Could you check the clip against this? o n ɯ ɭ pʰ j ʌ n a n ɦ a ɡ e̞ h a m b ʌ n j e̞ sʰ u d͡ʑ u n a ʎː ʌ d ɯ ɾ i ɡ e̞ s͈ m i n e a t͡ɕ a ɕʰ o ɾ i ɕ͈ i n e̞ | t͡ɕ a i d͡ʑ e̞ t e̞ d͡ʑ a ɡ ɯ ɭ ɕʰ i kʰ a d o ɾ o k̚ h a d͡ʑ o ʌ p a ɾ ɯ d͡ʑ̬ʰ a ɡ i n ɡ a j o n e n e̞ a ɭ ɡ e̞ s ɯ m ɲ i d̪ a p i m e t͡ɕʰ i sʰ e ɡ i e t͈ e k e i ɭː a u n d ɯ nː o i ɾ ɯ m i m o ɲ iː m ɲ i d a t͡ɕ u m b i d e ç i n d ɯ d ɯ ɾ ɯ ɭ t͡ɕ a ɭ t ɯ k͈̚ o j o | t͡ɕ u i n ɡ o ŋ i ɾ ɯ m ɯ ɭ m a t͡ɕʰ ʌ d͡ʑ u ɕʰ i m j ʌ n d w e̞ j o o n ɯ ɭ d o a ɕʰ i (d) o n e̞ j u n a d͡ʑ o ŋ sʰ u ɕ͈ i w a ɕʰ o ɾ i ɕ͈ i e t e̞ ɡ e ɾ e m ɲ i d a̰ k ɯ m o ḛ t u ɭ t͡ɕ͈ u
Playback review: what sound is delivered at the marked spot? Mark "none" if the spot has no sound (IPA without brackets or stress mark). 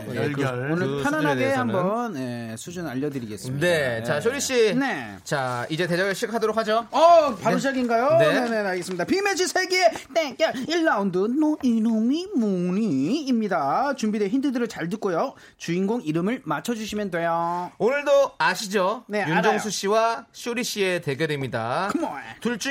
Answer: d͡ʑ